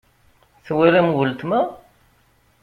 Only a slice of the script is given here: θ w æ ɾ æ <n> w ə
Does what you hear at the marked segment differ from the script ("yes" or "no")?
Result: yes